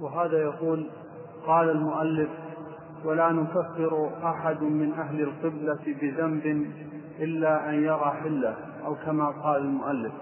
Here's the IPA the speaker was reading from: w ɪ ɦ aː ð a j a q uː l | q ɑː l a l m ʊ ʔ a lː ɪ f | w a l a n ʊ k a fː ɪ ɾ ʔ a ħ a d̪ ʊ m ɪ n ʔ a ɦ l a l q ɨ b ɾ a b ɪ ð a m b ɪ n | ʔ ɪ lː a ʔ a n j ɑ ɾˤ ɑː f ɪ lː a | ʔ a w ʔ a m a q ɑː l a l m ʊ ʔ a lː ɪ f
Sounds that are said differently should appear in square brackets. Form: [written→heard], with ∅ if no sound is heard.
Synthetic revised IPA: w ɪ ɦ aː ð a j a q uː l | q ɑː l a l m ʊ ʔ a lː ɪ f | w a l a n ʊ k a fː ɪ ɾ ʔ a ħ a d̪ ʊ m ɪ n ʔ a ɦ l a l q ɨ b [ɾ→l] a b ɪ ð a m b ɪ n | ʔ ɪ lː a ʔ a n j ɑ ɾˤ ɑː [f→ħ] ɪ lː a | ʔ a w [ʔ→k] a m a q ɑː l a l m ʊ ʔ a lː ɪ f